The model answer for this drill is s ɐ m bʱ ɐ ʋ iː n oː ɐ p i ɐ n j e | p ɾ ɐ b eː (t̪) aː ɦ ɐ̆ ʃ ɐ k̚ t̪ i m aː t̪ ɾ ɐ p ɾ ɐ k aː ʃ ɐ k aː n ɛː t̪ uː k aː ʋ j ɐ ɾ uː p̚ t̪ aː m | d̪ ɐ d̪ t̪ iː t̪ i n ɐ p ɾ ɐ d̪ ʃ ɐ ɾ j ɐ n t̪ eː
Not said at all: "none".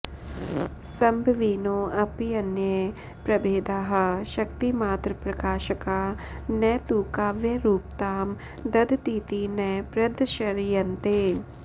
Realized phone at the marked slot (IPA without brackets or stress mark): d̪